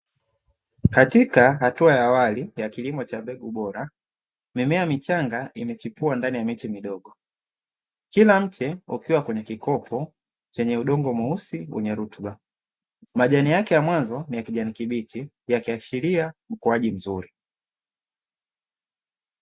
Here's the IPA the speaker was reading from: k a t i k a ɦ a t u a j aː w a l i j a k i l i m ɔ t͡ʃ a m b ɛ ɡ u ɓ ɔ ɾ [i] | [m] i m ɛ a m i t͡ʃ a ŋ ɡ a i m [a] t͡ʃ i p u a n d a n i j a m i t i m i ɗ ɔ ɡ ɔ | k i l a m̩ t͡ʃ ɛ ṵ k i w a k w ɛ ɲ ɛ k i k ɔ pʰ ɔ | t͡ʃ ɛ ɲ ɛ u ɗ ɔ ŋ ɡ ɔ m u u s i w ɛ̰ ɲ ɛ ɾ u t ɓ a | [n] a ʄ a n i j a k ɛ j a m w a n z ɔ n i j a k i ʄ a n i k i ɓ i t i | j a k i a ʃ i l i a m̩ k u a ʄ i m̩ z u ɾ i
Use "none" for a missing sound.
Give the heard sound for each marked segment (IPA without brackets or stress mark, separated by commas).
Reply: a, m, ɛ, m